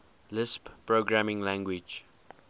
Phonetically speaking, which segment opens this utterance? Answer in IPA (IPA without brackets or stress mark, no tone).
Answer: l